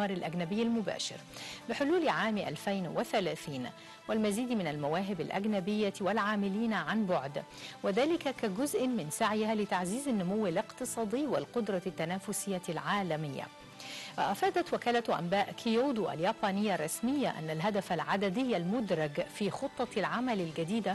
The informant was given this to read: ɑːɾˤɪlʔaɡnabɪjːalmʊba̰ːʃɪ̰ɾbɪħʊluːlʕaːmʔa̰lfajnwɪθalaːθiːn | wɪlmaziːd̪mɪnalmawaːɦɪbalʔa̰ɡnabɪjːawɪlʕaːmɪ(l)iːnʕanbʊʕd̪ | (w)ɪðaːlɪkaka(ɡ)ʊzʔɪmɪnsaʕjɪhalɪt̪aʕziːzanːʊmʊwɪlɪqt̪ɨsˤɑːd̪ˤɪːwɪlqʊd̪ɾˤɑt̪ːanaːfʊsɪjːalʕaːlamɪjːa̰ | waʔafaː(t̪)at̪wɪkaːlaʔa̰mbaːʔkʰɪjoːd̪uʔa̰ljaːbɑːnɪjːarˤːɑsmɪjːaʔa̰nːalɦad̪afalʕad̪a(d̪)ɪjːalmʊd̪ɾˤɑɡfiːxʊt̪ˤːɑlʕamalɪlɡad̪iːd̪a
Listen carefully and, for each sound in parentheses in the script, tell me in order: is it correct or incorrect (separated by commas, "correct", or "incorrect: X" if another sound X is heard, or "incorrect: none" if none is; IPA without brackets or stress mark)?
correct, correct, correct, incorrect: d̪, correct